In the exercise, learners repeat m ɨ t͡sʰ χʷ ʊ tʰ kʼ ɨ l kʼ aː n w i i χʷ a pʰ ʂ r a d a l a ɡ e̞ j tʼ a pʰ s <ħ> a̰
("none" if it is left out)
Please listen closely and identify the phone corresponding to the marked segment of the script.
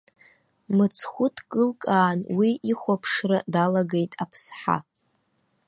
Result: ħ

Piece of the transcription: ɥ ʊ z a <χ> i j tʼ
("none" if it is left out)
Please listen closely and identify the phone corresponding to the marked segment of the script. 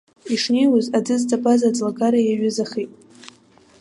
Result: χ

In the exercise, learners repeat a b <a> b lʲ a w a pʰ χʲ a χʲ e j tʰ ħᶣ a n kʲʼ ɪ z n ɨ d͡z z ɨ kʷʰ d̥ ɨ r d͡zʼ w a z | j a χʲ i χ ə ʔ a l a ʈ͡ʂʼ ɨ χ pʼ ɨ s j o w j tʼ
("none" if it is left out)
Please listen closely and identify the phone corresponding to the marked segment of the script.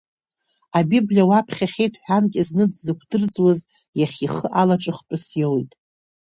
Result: i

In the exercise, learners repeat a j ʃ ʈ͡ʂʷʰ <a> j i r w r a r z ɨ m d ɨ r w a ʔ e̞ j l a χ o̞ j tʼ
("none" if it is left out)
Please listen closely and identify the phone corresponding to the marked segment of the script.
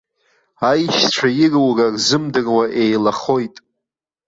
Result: a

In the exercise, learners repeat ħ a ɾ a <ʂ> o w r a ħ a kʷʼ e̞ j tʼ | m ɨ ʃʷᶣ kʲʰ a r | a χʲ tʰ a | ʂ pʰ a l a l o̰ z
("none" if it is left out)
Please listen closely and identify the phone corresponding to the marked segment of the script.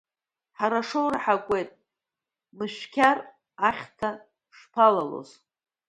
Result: ʂ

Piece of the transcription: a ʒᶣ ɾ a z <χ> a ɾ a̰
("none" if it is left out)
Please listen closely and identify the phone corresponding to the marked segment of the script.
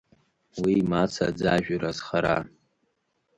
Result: χ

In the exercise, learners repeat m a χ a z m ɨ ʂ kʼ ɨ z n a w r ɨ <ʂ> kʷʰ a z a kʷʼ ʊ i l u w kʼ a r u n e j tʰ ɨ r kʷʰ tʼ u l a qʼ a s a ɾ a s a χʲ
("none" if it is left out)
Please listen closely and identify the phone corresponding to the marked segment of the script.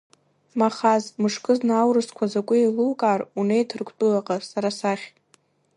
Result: s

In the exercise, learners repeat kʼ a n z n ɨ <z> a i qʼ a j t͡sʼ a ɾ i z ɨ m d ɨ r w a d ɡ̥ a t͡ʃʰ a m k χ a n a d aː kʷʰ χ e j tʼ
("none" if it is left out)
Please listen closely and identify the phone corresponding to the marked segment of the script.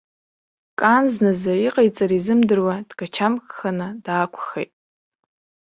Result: z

